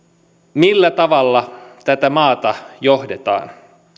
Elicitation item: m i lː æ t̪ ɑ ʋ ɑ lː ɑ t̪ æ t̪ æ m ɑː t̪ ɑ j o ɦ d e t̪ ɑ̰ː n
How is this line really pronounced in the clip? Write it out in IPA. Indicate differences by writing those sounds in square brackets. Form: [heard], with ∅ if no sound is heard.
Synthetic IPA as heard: m i lː æ t̪ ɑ ʋ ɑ lː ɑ t̪ æ t̪ æ m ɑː t̪ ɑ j o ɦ d e t̪ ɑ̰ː n